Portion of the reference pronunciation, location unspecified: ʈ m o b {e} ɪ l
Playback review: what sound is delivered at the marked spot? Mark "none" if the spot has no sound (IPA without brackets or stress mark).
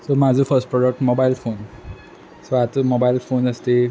a